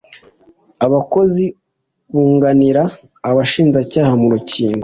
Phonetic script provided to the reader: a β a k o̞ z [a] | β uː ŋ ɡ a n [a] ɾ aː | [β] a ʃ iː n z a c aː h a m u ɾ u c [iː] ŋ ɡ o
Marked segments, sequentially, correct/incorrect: incorrect, incorrect, correct, correct

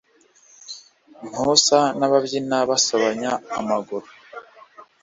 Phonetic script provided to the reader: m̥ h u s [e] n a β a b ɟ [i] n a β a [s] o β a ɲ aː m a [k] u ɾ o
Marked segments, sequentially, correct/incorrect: incorrect, correct, correct, incorrect

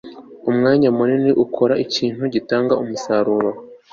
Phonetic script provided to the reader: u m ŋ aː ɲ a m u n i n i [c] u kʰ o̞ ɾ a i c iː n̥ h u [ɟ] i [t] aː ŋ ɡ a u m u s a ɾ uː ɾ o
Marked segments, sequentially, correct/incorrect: incorrect, correct, correct

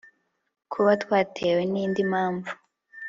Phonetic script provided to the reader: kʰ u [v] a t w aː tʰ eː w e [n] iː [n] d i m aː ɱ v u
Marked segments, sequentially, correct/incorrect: incorrect, correct, correct

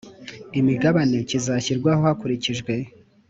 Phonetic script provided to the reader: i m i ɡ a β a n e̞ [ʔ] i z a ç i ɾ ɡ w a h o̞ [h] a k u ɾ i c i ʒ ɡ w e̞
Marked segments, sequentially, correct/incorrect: incorrect, correct

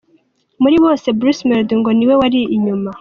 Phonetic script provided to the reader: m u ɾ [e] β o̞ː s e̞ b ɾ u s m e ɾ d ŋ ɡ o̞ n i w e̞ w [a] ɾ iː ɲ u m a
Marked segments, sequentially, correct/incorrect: incorrect, correct

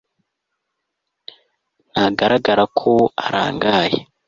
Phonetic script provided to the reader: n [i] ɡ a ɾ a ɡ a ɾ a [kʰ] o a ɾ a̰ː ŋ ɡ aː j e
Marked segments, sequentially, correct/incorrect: incorrect, correct

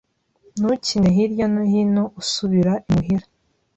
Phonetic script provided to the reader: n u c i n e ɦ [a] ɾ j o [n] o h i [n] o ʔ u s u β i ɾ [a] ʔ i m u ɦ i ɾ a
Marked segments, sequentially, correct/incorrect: incorrect, correct, correct, correct

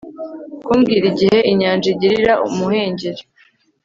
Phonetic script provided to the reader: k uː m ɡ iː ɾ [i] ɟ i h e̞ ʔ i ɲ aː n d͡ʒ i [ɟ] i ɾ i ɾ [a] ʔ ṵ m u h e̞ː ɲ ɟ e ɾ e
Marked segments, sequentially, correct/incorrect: correct, correct, correct

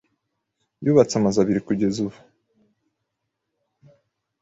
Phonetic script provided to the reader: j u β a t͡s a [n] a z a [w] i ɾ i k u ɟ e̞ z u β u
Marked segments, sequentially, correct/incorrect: incorrect, incorrect

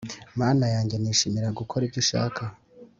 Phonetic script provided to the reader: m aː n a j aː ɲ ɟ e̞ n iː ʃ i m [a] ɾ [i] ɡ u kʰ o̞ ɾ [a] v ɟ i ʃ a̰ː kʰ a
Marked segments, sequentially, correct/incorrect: incorrect, incorrect, incorrect

